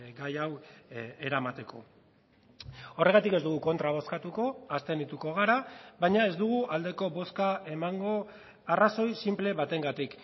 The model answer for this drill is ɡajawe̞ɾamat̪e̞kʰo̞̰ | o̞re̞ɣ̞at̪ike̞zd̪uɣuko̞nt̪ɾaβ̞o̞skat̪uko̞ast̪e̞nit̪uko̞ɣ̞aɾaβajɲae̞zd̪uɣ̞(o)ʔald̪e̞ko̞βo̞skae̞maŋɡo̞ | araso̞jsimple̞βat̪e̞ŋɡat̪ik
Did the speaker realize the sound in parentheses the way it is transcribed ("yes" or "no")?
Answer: no